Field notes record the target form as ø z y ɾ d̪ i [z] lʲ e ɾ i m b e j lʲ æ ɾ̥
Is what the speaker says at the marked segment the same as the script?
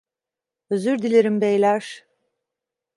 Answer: no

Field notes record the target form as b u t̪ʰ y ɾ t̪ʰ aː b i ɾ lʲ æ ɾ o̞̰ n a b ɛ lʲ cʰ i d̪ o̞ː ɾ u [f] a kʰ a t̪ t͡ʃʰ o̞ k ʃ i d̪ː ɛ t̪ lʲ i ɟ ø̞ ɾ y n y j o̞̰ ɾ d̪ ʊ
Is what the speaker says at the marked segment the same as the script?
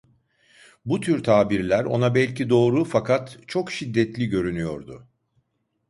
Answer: yes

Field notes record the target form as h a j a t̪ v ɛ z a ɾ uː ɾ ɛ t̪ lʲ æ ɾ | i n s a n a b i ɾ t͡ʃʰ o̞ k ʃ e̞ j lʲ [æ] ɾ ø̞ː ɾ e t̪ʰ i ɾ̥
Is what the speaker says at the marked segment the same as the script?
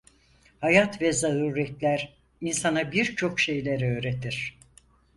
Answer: no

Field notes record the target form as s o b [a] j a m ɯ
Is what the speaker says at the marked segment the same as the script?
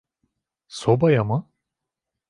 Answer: yes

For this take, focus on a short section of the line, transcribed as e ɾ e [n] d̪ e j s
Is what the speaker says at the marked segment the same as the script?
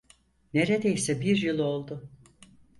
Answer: no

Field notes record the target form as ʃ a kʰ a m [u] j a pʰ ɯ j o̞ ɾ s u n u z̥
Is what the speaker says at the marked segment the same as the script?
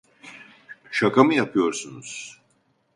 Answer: no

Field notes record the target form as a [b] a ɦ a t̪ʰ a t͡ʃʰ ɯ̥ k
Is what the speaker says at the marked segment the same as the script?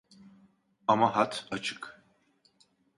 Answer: no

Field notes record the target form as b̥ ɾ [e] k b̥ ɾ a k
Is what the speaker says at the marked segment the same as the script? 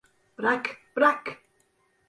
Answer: no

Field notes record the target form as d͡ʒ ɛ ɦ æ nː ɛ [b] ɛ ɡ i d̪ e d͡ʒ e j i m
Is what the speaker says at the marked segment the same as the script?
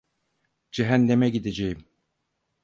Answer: no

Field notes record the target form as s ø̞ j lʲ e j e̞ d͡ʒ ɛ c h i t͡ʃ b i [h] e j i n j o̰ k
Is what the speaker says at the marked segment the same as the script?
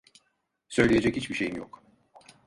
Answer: no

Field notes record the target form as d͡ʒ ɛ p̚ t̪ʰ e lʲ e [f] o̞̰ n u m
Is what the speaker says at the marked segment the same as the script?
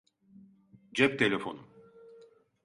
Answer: yes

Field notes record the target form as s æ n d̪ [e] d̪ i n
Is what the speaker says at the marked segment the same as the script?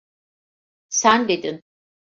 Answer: yes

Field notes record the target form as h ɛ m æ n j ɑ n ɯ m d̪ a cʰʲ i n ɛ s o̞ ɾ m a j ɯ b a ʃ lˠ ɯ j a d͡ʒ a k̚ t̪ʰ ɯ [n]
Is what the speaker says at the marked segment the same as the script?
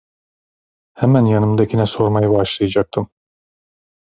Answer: no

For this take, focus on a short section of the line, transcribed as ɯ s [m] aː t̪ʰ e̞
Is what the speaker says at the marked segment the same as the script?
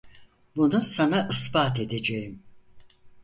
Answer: no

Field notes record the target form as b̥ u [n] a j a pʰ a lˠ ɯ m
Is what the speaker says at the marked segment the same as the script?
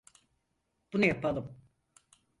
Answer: yes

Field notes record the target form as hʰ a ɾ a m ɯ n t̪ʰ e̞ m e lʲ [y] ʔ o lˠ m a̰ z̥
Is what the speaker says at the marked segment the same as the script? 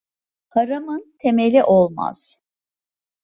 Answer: no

